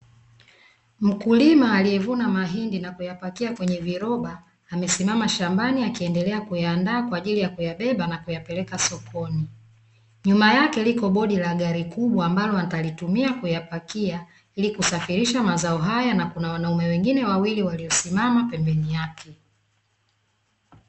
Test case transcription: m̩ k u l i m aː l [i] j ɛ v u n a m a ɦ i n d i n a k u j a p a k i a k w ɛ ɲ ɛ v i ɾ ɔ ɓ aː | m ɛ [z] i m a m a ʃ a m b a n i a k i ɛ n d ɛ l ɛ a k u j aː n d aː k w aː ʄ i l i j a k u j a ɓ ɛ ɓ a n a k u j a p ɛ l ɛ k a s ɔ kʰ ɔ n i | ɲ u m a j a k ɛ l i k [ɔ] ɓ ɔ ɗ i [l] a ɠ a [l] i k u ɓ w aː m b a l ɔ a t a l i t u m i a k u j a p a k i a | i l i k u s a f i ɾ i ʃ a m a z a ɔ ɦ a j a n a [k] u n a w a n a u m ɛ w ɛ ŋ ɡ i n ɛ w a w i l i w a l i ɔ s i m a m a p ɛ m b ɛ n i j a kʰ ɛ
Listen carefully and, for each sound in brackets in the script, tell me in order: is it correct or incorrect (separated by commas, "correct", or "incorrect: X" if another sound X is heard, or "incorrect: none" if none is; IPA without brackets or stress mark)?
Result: correct, incorrect: s, correct, correct, incorrect: ɾ, correct